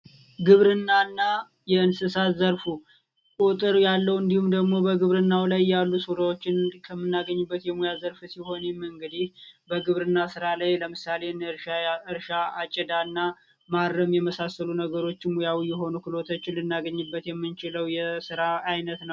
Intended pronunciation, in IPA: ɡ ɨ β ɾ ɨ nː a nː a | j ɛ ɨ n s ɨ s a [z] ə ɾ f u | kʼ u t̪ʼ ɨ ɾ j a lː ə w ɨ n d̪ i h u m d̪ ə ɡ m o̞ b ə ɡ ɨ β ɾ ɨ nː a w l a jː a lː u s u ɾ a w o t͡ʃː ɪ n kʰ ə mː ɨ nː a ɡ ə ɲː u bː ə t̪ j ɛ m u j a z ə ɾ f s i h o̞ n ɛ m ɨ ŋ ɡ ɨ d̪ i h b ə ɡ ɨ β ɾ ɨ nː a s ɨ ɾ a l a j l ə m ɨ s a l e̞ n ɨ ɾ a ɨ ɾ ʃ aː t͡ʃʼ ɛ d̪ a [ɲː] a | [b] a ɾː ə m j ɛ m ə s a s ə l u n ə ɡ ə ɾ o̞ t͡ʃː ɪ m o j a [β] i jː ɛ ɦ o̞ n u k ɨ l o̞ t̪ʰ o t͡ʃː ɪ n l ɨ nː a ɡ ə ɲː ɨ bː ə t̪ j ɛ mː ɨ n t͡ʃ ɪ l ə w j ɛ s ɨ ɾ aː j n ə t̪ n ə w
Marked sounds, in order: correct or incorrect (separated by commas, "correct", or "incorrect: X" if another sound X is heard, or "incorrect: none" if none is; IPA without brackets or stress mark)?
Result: correct, incorrect: nː, incorrect: m, incorrect: w